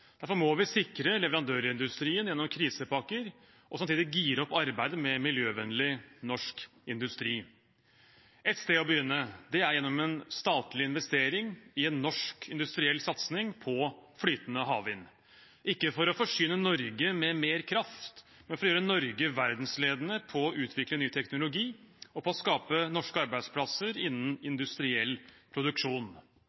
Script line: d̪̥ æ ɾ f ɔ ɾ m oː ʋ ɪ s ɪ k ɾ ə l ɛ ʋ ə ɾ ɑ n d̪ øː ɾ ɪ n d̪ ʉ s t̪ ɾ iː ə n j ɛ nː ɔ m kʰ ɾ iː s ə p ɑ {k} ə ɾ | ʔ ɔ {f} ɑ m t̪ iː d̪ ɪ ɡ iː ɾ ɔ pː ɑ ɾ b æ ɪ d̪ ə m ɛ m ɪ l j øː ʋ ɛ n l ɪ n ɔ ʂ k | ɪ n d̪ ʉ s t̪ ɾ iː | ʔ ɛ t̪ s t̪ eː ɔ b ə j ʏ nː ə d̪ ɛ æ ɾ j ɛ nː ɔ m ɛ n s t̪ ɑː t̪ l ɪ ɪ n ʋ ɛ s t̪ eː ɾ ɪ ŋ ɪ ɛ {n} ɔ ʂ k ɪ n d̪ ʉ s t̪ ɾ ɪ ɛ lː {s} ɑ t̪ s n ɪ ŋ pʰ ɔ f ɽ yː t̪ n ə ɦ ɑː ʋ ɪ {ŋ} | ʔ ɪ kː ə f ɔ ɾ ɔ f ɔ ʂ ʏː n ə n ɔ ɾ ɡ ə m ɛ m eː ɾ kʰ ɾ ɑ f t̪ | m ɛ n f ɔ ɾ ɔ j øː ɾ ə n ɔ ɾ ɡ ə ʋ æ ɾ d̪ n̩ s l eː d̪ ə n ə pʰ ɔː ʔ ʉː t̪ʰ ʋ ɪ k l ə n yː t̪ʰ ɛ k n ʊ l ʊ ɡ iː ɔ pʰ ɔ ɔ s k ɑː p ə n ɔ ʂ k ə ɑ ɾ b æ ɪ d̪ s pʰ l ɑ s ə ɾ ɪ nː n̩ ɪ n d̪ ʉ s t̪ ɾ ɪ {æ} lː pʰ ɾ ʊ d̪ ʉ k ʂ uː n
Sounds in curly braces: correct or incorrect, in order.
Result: correct, incorrect, incorrect, correct, incorrect, incorrect

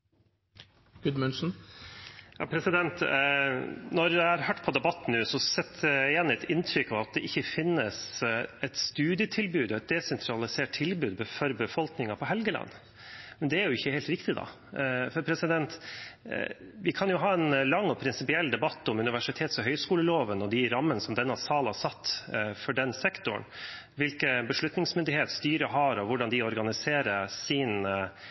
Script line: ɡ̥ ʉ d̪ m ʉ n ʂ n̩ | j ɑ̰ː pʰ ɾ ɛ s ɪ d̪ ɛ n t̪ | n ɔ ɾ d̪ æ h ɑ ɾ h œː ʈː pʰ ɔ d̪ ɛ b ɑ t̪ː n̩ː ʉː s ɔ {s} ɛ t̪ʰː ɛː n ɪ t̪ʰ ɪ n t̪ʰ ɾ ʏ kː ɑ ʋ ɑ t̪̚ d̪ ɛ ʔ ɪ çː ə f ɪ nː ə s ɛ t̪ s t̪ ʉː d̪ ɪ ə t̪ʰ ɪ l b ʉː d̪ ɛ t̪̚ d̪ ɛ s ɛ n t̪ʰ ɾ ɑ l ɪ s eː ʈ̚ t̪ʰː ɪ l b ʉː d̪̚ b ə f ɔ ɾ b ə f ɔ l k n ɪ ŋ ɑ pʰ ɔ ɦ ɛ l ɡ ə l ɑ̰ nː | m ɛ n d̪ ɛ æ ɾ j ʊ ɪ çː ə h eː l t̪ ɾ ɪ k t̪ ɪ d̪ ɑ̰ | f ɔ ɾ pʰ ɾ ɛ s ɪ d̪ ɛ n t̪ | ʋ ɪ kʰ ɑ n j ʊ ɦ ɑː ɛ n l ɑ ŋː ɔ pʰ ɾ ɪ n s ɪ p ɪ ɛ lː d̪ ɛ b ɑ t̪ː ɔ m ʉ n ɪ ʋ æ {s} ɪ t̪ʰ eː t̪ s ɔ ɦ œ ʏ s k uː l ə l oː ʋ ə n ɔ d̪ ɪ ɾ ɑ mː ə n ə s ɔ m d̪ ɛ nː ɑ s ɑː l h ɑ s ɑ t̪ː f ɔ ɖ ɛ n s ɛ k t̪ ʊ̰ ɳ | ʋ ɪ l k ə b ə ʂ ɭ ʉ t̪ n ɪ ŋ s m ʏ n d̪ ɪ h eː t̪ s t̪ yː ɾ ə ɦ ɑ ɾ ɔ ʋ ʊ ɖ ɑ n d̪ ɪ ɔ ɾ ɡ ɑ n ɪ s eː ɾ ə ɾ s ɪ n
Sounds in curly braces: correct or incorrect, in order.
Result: correct, incorrect

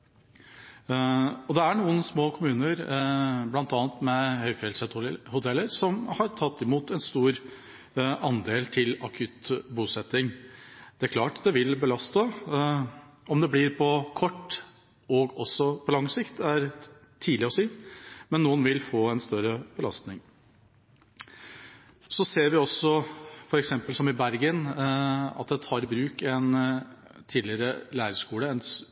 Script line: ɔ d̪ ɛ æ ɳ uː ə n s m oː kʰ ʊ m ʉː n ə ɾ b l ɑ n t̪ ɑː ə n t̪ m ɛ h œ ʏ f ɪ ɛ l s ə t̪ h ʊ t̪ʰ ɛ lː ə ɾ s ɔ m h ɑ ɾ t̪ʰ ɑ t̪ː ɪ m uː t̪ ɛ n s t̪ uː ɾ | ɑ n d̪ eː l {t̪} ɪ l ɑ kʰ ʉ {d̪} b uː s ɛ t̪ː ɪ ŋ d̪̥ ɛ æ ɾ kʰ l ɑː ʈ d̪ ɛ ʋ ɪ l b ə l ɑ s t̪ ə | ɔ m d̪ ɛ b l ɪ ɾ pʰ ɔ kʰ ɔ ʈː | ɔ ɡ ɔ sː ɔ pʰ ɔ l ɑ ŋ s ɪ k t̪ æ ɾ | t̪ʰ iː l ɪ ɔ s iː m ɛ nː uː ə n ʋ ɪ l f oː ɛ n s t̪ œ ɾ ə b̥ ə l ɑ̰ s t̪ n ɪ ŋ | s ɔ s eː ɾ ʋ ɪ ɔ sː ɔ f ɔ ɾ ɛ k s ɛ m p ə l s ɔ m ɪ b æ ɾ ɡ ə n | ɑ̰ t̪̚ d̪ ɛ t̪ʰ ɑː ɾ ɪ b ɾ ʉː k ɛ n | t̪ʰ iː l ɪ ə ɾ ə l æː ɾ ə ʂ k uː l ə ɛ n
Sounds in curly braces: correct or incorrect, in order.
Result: incorrect, incorrect

